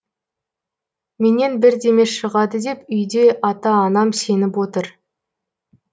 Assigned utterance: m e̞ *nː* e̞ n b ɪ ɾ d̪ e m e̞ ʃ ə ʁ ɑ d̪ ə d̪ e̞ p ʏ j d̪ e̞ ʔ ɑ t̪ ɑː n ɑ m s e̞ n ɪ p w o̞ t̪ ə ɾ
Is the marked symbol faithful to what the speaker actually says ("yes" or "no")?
no